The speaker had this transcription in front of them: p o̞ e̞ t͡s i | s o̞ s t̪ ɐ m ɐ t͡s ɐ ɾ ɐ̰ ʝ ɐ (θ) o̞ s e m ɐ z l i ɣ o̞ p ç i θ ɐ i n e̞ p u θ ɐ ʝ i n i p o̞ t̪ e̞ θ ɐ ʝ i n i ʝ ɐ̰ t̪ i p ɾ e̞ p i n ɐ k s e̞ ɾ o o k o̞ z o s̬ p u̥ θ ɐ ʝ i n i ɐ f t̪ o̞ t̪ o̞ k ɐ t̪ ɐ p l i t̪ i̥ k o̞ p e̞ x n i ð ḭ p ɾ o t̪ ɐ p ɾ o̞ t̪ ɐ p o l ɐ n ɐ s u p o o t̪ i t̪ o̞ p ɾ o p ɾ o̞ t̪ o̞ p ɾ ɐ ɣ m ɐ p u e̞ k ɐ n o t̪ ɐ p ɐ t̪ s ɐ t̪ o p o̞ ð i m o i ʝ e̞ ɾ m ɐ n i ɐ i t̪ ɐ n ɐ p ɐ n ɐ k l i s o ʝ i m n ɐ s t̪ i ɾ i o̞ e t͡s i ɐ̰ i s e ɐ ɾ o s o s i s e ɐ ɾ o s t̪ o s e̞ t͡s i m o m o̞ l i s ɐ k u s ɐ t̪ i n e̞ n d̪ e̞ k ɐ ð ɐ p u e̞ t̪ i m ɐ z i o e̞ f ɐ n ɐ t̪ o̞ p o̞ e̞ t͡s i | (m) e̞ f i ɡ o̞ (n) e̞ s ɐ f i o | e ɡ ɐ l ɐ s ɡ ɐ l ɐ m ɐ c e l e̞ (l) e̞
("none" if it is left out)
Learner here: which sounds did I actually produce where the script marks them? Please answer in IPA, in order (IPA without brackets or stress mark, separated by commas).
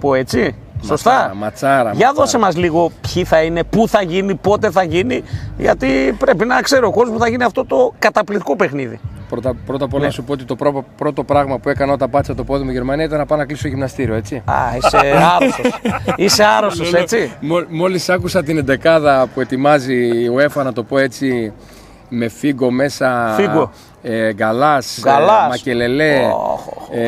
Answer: ð, m, m, l